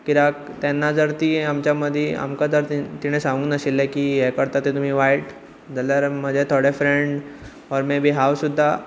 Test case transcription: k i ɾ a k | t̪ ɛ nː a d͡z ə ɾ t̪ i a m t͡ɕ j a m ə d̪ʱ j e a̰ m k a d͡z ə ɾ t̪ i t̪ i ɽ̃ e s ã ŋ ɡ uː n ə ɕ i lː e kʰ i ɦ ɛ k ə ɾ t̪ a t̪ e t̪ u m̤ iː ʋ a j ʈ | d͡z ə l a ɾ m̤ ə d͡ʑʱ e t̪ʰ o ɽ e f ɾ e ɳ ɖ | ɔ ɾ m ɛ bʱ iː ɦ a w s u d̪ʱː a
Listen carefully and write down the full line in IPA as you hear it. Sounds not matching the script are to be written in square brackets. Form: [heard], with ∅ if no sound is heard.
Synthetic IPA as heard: k i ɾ a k | t̪ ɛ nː a d͡z ə ɾ t̪ i a m t͡ɕ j a m ə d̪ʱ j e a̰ m k a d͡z ə ɾ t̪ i t̪ i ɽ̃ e s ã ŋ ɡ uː n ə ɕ i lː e [k] i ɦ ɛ k ə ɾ t̪ a t̪ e t̪ u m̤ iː ʋ a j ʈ | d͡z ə l a ɾ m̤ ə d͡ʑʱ e t̪ʰ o ɽ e f ɾ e ɳ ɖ | ɔ ɾ m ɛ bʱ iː ɦ a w s u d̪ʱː a